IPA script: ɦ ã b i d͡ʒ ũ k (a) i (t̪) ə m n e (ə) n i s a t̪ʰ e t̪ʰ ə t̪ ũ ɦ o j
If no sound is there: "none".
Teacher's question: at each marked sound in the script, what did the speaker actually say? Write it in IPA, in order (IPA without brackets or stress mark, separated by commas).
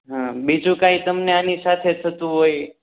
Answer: a, t̪, a